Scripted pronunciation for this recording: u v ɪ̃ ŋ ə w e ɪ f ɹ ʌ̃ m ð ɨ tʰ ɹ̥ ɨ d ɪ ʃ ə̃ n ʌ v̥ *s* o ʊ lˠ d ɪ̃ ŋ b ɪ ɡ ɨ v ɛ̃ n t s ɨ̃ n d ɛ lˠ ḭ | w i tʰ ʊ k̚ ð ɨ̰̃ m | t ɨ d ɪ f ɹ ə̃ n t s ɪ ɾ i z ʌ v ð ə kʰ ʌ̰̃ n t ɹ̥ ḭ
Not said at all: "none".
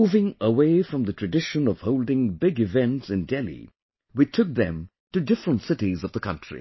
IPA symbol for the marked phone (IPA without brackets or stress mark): h